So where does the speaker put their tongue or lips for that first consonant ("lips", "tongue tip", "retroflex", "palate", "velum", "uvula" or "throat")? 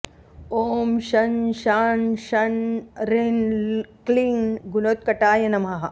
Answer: lips